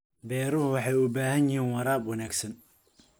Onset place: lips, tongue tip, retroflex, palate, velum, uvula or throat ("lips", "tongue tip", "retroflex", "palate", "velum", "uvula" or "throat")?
lips